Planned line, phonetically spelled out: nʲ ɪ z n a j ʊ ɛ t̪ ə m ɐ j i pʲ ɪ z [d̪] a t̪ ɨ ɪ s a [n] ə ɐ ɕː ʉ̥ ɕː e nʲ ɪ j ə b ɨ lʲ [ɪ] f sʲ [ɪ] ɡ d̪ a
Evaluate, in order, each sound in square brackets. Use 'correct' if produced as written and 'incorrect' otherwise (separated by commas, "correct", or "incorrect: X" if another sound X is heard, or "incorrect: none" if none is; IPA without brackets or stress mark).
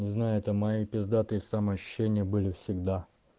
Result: correct, incorrect: m, correct, correct